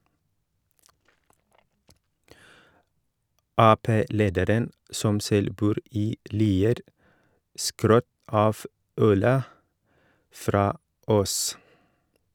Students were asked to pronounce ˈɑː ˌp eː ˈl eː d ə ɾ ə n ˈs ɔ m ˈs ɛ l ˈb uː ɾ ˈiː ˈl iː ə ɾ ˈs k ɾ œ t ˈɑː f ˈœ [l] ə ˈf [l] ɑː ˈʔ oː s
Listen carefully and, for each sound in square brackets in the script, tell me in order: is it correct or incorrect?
correct, incorrect

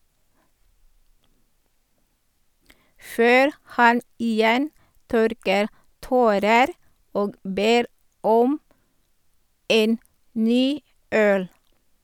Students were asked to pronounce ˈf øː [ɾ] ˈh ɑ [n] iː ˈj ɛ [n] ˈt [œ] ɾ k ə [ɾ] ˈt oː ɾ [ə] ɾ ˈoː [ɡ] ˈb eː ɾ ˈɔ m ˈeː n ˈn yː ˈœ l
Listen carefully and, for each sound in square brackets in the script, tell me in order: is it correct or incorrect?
correct, correct, correct, correct, correct, correct, correct

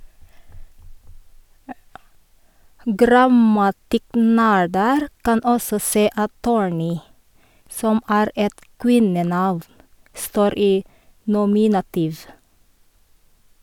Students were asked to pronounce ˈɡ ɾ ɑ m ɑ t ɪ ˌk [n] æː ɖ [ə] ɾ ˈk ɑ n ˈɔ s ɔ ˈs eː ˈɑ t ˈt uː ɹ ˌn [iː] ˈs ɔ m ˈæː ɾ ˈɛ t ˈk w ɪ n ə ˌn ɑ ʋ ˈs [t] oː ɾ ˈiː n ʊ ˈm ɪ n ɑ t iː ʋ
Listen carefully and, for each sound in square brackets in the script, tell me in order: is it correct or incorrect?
correct, correct, correct, correct

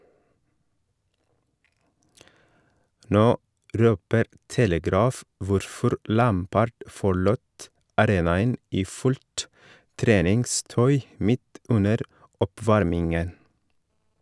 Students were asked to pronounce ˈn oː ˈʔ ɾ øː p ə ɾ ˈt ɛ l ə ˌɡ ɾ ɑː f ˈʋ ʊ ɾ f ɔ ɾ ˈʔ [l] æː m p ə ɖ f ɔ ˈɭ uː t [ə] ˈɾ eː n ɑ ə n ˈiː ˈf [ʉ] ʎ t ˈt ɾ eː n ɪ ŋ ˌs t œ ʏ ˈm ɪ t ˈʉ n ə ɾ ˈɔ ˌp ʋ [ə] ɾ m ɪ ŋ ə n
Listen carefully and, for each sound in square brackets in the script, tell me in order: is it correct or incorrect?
correct, incorrect, correct, incorrect

